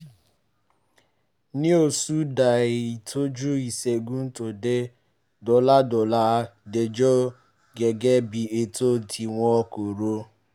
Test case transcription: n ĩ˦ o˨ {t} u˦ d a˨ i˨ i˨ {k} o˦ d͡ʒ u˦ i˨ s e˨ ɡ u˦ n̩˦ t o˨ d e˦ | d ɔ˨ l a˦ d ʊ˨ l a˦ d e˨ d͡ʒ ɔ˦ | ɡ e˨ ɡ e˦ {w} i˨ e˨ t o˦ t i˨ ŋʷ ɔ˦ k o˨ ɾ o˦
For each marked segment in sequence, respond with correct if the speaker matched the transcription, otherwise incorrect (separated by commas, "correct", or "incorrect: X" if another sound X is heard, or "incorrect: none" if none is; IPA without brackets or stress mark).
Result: incorrect: s, incorrect: t, incorrect: b